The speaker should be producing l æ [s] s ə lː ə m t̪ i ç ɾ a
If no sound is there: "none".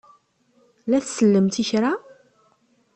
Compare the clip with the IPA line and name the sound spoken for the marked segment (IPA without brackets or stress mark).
θ